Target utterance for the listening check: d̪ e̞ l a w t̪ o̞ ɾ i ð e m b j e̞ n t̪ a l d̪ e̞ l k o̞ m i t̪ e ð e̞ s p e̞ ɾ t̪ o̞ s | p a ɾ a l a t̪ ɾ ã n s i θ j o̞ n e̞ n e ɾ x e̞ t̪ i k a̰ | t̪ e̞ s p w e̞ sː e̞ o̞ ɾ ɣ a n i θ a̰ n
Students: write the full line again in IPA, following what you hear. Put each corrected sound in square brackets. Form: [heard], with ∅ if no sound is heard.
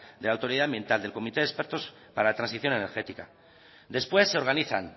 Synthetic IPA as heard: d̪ e̞ l a w t̪ o̞ ɾ i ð [a] m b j e̞ n t̪ a l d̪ e̞ l k o̞ m i t̪ e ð e̞ s p e̞ ɾ t̪ o̞ s | p a ɾ a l a t̪ ɾ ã n s i θ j o̞ n e̞ n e ɾ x e̞ t̪ i k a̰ | [d̪] e̞ s p w e̞ sː e̞ o̞ ɾ ɣ a n i θ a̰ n